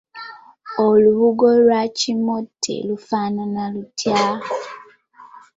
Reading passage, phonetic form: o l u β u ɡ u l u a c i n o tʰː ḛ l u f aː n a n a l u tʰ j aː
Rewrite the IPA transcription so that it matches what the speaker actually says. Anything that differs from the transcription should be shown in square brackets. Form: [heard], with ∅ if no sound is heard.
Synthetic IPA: o l u β u ɡ [o] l [w] a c i [m] o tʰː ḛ l u f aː n a n a l u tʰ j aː